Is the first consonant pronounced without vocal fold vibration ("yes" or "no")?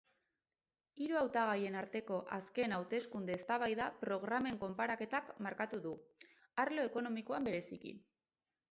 no